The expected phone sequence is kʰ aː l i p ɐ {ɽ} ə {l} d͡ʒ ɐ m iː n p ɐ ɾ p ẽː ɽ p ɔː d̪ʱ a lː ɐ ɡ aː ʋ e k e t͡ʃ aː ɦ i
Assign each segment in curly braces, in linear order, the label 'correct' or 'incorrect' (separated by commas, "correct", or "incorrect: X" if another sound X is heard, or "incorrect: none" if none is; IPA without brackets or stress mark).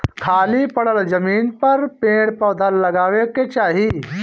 correct, correct